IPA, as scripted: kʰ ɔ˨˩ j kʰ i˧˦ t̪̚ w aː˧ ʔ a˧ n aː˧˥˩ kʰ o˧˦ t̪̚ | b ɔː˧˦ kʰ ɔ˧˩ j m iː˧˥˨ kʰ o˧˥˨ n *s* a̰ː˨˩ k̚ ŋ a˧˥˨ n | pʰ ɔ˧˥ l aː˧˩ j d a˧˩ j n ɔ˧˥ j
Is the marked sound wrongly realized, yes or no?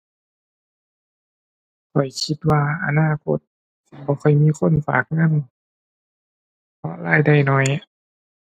yes